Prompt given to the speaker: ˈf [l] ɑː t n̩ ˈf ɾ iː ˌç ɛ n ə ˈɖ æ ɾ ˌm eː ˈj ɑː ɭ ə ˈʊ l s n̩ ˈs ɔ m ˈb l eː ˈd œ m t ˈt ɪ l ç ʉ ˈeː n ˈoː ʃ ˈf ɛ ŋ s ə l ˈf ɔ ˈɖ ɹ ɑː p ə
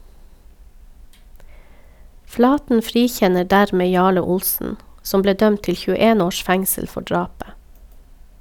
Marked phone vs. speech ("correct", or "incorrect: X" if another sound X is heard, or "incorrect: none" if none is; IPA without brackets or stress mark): correct